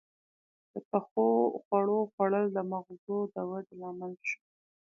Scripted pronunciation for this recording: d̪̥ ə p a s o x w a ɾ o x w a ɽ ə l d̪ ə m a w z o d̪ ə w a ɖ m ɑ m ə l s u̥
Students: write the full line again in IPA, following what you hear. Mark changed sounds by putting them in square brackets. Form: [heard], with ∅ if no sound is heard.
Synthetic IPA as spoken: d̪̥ ə p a [x] o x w a [ɽ] o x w a ɽ ə l d̪ ə m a [ɣ] z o d̪ ə w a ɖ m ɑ m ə l [ʃ] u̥